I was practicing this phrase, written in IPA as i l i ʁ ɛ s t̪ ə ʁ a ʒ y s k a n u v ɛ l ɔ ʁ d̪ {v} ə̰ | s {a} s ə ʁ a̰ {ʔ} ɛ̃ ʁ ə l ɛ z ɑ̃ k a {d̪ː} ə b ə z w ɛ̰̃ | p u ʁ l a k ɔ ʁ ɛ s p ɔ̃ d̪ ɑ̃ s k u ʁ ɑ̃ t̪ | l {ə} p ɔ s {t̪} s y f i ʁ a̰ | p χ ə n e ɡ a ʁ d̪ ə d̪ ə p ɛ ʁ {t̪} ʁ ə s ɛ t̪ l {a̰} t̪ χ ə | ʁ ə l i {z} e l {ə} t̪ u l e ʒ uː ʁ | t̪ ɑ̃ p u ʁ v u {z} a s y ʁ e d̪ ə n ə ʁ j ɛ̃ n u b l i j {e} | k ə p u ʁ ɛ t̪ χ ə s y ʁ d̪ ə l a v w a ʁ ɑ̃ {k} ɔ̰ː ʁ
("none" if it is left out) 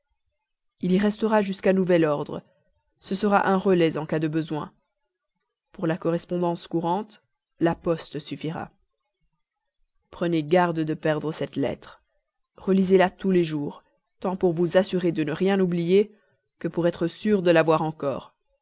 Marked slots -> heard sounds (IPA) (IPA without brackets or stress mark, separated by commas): ʁ, ə, ʔ, d̪, a, t̪, d̪, ɛ̰, z, a, z, e, k